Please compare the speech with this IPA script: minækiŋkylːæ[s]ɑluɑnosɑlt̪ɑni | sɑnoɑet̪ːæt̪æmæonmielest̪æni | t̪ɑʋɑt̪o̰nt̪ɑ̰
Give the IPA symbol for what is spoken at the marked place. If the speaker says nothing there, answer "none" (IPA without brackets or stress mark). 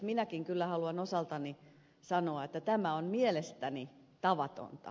h